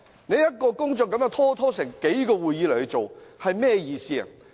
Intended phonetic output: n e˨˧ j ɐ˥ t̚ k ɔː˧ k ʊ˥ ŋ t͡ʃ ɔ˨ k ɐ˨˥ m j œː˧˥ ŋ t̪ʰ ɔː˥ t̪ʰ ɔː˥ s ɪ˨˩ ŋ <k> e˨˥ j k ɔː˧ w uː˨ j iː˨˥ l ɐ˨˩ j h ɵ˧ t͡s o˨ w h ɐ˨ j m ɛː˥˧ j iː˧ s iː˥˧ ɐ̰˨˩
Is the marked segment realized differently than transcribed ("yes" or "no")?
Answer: no